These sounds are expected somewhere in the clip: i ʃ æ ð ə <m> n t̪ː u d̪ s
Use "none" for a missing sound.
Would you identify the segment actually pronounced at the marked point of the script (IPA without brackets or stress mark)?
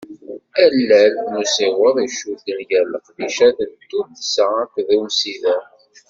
none